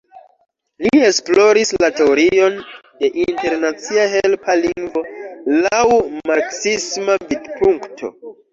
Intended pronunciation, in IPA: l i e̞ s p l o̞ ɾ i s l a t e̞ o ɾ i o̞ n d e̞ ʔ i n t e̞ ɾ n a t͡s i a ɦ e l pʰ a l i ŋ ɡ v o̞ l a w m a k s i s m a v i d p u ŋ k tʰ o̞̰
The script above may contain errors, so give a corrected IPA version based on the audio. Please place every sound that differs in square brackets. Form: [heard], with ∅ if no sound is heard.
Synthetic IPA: l i e̞ s p l o̞ ɾ i s l a t e̞ o ɾ i o̞ n d e̞ ʔ i n t e̞ ɾ n a t͡s i a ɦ e l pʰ a l i ŋ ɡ v o̞ l a w m a k s i s m a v i d p u ŋ k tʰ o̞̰